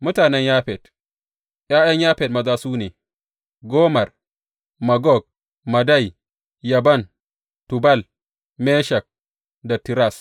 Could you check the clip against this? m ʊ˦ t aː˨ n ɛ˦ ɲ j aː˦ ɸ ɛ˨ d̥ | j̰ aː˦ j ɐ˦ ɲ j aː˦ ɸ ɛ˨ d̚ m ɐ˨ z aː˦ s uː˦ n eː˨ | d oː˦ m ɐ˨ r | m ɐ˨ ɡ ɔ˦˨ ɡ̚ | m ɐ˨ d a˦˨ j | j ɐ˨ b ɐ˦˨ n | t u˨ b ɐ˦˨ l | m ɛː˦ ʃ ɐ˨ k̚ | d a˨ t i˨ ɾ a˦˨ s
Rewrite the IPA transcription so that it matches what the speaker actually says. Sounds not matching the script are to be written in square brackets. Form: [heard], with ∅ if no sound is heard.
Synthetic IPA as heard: m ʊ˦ t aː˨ n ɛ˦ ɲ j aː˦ ɸ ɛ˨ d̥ | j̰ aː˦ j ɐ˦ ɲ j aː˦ ɸ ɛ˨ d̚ m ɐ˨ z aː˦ s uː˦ n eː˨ | [ɡ] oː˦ m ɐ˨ r | m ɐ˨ ɡ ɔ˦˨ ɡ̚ | m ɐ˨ d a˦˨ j | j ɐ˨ b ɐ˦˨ n | t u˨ b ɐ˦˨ l | m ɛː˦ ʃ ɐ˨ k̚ | d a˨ t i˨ ɾ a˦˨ s